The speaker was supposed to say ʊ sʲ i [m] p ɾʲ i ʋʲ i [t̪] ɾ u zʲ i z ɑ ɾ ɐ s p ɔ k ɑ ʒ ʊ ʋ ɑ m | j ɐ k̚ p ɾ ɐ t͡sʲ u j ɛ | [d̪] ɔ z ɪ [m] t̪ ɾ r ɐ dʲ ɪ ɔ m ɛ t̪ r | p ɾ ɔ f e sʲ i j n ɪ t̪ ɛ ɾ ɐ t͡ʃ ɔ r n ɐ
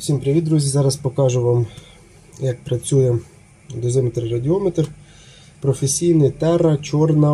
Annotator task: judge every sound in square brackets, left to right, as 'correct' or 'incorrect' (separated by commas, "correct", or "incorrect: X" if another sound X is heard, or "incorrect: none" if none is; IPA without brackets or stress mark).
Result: correct, incorrect: d̪, correct, correct